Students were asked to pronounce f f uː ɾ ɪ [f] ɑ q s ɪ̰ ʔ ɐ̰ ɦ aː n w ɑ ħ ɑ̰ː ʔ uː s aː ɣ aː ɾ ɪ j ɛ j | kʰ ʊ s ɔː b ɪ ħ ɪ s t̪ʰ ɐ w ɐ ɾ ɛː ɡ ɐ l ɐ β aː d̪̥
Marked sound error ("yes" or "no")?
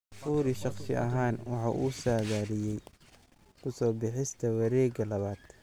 yes